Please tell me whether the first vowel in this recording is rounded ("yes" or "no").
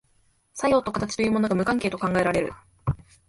no